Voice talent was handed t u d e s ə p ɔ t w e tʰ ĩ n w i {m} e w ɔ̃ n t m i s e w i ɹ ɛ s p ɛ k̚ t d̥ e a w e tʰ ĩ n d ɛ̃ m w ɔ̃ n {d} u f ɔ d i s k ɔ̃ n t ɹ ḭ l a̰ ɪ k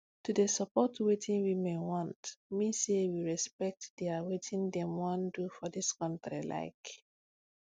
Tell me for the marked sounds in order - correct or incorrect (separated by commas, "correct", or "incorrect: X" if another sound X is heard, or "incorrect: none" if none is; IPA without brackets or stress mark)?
correct, correct